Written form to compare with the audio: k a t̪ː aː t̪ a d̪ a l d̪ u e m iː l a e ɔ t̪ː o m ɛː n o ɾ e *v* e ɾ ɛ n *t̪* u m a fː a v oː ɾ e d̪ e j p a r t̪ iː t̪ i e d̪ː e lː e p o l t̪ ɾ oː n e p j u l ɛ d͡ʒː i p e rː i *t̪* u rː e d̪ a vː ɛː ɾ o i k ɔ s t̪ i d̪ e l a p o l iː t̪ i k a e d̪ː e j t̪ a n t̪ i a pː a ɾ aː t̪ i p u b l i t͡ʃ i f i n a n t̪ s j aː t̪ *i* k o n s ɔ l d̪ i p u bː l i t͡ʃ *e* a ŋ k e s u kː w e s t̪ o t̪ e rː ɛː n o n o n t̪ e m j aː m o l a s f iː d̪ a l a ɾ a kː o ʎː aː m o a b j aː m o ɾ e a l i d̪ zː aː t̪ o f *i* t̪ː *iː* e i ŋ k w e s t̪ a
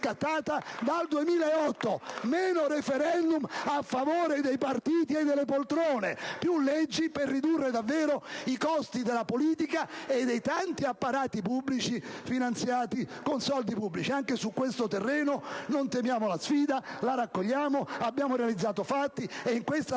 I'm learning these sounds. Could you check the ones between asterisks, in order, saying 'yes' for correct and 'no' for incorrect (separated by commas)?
no, no, no, yes, no, no, no